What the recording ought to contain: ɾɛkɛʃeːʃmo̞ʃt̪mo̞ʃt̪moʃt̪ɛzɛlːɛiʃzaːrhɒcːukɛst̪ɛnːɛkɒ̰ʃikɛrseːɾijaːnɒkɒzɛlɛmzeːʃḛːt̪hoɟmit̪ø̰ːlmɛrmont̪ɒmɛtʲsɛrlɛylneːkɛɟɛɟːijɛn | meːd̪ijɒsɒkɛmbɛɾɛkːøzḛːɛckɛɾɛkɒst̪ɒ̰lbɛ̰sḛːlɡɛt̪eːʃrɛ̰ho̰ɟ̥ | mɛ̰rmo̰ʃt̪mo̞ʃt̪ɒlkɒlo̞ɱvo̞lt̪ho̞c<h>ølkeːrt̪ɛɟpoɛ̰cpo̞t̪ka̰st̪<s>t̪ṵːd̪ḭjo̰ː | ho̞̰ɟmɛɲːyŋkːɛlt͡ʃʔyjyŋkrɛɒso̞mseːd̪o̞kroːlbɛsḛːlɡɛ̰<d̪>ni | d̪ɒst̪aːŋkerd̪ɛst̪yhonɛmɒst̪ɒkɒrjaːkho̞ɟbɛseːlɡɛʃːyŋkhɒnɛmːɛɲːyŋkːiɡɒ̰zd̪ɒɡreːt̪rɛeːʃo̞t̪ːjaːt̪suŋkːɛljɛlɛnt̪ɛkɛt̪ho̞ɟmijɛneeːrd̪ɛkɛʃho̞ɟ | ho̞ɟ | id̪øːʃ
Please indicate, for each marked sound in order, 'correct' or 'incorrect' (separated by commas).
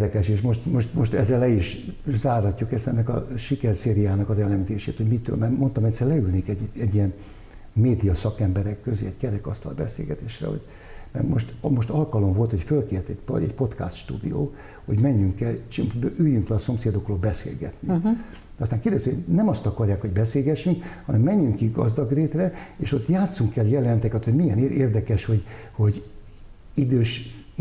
incorrect, incorrect, incorrect